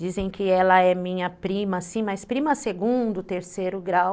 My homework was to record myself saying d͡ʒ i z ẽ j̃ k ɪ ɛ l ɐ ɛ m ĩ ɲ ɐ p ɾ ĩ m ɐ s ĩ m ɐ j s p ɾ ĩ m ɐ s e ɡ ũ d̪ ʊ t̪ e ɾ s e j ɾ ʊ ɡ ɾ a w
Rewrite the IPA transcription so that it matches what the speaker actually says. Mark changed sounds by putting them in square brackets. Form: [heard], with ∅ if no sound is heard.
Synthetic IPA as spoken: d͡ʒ i z ẽ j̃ k ɪ ɛ l ɐ ɛ m ĩ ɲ ɐ p ɾ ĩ m ɐ s ĩ m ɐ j s p ɾ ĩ m ɐ s e ɡ ũ d̪ ʊ t̪ e ɾ s e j ɾ ʊ ɡ ɾ a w